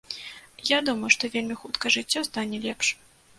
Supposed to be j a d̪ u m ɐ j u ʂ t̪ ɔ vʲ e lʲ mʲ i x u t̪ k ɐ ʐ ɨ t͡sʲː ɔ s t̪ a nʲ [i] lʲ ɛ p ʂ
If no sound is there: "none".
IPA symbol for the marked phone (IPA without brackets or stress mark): ɛ